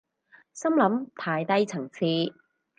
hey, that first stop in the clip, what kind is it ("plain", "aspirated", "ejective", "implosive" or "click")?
aspirated